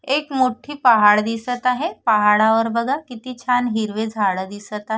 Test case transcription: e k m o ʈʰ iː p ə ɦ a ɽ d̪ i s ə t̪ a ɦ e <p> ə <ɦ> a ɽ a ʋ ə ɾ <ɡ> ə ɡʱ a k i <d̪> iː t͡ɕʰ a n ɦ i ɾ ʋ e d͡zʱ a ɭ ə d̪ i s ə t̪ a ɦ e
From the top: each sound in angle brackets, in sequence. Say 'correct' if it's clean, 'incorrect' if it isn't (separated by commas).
correct, correct, incorrect, incorrect